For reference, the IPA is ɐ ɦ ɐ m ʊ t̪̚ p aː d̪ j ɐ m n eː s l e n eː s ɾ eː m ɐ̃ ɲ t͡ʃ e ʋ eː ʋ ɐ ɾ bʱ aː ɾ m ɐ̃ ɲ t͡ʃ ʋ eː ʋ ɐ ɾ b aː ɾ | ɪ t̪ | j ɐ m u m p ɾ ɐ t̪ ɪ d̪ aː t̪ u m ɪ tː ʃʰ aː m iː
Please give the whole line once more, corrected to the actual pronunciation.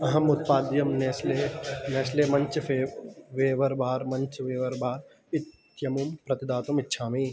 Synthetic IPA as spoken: ɐ ɦ ɐ m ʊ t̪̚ p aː d̪ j ɐ m n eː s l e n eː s l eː m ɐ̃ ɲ t͡ʃ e ʋ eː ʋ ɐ ɾ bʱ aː ɾ m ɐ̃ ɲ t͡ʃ ʋ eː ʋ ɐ ɾ b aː ɾ | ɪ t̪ | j ɐ m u m p ɾ ɐ t̪ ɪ d̪ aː t̪ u m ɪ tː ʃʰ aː m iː